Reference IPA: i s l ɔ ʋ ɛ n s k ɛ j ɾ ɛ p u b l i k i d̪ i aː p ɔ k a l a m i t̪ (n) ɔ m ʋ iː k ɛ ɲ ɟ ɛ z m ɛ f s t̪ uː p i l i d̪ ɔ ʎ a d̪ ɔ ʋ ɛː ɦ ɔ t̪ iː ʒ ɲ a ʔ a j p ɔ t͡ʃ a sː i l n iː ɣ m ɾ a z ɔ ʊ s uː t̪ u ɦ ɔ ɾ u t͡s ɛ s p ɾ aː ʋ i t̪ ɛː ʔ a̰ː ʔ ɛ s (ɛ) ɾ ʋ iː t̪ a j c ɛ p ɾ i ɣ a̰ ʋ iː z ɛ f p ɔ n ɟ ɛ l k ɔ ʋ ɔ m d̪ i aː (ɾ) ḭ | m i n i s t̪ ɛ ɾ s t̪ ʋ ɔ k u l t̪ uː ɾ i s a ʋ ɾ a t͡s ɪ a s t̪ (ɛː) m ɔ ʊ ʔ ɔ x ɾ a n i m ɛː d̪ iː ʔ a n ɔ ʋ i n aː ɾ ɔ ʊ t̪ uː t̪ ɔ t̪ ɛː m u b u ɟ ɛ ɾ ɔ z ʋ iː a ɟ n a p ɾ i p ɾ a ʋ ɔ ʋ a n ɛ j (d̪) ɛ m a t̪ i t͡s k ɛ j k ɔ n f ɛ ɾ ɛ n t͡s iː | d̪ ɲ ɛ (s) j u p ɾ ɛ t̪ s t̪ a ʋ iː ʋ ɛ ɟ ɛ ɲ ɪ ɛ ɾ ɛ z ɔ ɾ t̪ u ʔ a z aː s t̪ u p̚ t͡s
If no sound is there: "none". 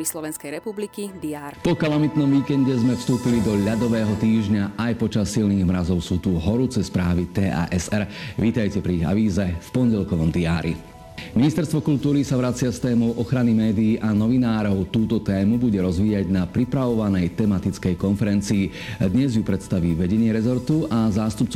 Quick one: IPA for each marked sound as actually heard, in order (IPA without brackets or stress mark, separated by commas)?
n, ɛ, ɾ, ɛː, t̪, z